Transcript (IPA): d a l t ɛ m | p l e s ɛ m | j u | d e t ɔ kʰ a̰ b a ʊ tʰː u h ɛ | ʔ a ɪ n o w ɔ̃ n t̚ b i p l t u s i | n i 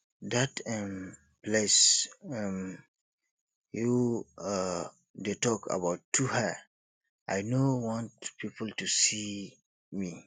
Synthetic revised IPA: d a t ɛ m | p l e s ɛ m | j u | d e t ɔ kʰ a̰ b a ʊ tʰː u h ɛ | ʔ a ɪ n o w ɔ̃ n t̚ p i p l t u s i | m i

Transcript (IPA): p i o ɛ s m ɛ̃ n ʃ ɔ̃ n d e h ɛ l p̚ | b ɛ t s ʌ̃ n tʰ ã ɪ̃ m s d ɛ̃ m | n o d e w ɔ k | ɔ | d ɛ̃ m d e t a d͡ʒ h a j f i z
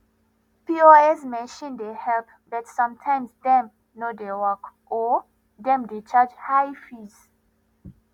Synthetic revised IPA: p i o ɛ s m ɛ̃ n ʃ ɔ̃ n d e h ɛ l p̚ | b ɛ t s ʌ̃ m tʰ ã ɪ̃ m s d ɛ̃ m | n o d e w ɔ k | ɔ | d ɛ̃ m d e t͡ʃ a d͡ʒ h a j f i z

